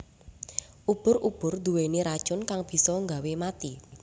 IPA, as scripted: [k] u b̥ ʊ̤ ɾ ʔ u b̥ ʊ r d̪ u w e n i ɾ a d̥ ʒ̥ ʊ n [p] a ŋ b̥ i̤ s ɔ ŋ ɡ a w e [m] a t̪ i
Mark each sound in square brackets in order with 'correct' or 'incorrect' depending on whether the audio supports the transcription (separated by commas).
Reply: incorrect, incorrect, correct